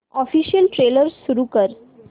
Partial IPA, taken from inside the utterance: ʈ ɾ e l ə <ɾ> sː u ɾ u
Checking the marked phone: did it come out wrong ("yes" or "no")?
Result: no